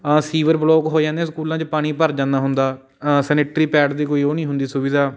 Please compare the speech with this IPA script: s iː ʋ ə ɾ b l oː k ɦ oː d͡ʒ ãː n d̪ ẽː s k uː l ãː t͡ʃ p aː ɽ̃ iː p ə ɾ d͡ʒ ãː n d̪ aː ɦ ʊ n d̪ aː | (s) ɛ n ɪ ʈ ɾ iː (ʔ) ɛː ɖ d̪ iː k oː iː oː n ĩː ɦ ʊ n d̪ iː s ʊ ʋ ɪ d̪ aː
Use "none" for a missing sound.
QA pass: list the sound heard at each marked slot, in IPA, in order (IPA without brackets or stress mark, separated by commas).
s, p